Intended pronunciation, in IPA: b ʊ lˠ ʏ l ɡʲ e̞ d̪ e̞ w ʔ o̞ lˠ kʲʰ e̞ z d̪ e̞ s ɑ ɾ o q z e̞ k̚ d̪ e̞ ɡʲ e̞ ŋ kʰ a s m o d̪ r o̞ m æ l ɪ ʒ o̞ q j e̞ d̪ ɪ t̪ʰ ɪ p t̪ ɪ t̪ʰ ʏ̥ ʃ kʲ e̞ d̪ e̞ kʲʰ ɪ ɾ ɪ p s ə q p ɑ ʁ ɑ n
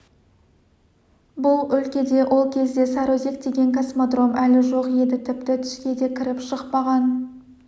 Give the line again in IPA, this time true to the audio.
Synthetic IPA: b ʊ lˠ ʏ l kʲ e̞ d̪ e̞ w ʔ o̞ lˠ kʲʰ e̞ z d̪ e̞ s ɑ ɾ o z e̞ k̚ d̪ e̞ ɡʲ e̞ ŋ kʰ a s m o d̪ r o̞ m æ l ɪ ʒ o̞ q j e̞ d̪ ɪ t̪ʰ ɪ p t̪ ɪ t̪ʰ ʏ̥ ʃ kʲ e̞ d̪ e̞ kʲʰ ɪ ɾ ɪ p ʃ ə q p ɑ ʁ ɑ n

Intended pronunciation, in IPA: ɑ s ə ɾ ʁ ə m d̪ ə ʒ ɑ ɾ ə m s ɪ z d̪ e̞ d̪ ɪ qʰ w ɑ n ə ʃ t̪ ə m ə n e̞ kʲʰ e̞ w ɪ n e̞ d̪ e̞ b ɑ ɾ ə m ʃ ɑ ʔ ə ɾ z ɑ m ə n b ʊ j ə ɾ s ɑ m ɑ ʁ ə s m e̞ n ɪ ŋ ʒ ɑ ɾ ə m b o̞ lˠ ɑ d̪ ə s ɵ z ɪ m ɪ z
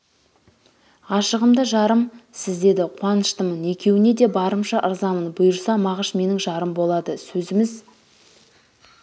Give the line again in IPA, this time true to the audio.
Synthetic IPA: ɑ ʃ ə ʁ ə m d̪ ə ʒ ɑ ɾ ə m s ɪ z d̪ e̞ d̪ ɪ qʰ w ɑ n ə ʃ t̪ ə m ə n e̞ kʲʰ e̞ w ɪ n e̞ d̪ e̞ b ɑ ɾ ə m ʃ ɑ ʔ ə ɾ z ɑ m ə n b ʊ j ə ɾ s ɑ m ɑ ʁ ə ʃ m e̞ n ɪ ŋ ʒ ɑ ɾ ə m b o̞ lˠ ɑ d̪ ə s ɵ z ɪ m ɪ z

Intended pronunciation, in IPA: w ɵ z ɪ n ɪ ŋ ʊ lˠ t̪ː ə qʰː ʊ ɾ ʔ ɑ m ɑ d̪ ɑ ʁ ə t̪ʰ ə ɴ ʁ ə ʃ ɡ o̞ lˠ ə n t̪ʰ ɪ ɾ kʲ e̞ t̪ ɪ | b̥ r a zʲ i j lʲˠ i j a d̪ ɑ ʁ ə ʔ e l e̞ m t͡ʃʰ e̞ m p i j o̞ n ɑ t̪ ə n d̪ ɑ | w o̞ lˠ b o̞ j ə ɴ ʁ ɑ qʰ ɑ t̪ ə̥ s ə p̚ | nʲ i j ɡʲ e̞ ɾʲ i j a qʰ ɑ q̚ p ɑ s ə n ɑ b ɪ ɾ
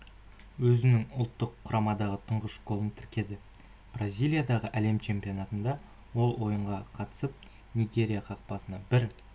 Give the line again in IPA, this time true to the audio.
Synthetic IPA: w ɵ z ɪ n ɪ ŋ ʊ lˠ t̪ː ə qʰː ʊ ɾ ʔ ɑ m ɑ d̪ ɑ ʁ ə t̪ʰ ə ɴ ʁ ə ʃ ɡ o̞ lˠ ə n t̪ʰ ɪ ɾ kʲ e̞ d̪ ɪ | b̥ r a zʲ i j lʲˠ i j a d̪ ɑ ʁ ə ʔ æ l e̞ m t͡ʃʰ e̞ m p i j o̞ n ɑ t̪ ə n d̪ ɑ | w o̞ lˠ w o̞ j ə ɴ ʁ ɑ qʰ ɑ t̪ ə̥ s ə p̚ | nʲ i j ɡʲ e̞ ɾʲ i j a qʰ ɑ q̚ p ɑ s ə n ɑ b ɪ ɾ

